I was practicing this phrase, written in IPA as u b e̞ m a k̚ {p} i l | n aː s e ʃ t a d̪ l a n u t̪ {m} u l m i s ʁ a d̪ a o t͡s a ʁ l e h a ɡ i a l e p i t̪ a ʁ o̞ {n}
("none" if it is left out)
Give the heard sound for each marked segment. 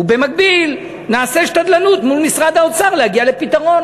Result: b, m, n

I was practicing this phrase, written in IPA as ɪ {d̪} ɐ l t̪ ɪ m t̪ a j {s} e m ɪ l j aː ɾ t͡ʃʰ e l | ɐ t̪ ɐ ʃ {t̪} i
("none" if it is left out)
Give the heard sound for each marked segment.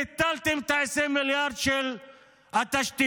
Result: t̪, s, t̪

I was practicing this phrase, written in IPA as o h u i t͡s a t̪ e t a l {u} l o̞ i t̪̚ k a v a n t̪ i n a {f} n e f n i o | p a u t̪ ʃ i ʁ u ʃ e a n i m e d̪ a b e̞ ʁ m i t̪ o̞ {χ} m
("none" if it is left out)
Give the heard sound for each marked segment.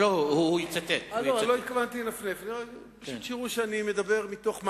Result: o, f, χ

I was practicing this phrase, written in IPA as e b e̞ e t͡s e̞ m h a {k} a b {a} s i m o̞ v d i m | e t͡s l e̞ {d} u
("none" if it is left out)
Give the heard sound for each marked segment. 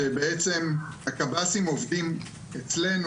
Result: k, a, n

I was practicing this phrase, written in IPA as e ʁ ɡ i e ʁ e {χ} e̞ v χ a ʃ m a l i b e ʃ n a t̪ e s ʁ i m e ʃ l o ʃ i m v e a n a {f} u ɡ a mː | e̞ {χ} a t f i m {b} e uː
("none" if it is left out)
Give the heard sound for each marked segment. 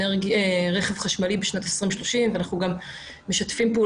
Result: χ, χ, ʃ, p

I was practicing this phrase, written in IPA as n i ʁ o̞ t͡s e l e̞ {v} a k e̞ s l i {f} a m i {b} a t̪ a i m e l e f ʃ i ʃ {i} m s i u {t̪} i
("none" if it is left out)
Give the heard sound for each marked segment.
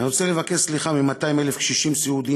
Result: v, χ, m, i, d̪

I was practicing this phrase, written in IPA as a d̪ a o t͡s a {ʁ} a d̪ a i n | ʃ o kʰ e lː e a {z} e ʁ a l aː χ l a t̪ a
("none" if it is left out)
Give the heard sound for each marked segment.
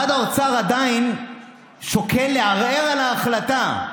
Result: ʁ, ʁ

